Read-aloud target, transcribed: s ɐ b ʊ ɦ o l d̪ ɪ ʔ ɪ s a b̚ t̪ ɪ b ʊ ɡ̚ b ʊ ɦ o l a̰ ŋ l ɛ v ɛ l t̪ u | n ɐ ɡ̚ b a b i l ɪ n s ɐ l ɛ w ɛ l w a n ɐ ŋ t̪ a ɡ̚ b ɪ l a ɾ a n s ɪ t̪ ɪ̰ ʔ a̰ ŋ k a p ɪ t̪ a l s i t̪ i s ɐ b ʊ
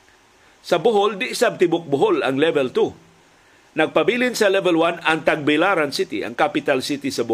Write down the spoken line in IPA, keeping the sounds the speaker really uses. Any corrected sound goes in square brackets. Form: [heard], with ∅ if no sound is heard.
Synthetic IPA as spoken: s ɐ b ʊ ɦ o l d̪ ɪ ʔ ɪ s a b̚ t̪ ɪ b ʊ [k̚] b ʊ ɦ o l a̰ ŋ l ɛ v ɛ l t̪ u | n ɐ ɡ̚ [p] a b i l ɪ n s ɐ l ɛ [v] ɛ l w a n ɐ ŋ t̪ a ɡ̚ b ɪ l a ɾ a n s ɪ t̪ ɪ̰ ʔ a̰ ŋ k a p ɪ t̪ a l s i t̪ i s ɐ b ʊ